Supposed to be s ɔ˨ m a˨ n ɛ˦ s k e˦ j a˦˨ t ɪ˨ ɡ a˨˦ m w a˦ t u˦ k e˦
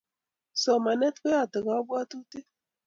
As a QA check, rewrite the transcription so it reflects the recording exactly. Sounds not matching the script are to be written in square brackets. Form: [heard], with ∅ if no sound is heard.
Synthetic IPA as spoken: s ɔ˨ m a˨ n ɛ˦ [t] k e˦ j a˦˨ t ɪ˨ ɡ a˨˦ [b] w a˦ t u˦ [t] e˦

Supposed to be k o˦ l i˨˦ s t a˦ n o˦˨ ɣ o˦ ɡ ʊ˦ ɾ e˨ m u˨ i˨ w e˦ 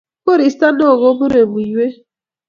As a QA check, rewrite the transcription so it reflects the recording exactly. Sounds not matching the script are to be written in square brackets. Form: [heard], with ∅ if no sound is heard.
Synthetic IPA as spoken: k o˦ [ɾ] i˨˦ s t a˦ n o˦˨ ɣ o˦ [b] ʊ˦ ɾ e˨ m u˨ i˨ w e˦

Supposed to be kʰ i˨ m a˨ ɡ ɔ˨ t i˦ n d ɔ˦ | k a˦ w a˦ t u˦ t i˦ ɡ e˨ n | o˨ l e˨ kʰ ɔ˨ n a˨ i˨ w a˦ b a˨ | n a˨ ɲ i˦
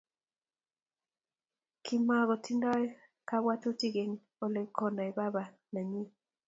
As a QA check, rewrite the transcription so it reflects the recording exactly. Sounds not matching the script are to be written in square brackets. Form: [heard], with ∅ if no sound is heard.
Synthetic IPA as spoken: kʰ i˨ m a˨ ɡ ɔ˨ t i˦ n d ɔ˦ | k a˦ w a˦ t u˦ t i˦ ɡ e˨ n | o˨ l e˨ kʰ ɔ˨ n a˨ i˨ [b] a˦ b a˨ | n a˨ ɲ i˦

